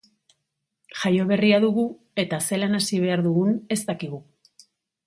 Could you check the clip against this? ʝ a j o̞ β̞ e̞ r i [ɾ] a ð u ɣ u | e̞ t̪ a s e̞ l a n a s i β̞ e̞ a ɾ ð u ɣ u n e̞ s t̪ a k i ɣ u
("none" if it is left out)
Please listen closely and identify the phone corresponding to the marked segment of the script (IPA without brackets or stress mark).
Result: none